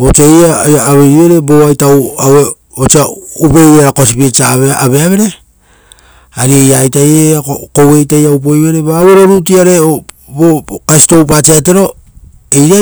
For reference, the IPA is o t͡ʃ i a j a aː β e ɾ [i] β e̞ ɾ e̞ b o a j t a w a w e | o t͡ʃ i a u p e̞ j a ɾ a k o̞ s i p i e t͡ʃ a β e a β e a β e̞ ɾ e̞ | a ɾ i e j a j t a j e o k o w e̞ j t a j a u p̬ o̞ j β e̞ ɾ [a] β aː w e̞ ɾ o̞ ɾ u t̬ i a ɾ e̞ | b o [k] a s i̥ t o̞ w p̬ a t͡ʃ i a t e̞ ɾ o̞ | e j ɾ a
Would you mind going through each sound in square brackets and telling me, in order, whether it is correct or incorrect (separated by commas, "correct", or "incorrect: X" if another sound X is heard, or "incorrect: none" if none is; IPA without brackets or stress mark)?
correct, incorrect: e, correct